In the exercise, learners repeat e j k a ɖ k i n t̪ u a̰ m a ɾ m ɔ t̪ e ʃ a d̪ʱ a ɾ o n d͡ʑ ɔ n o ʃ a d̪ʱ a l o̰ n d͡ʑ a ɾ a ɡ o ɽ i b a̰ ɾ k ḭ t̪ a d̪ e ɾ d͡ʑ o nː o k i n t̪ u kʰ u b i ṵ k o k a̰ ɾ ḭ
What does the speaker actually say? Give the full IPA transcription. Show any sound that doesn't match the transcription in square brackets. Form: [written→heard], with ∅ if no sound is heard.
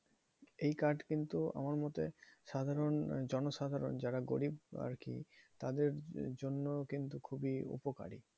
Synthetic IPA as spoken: e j k a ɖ k i n t̪ u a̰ m a ɾ m ɔ t̪ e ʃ a d̪ʱ a ɾ o n d͡ʑ ɔ n o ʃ a d̪ʱ a [l→ɾ] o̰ n d͡ʑ a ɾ a ɡ o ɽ i b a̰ ɾ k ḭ t̪ a d̪ e ɾ d͡ʑ o nː o k i n t̪ u kʰ u b i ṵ [k→p] o k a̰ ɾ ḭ